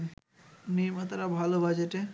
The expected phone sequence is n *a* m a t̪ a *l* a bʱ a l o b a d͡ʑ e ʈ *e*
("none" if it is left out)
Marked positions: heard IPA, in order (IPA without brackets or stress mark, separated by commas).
i, ɾ, e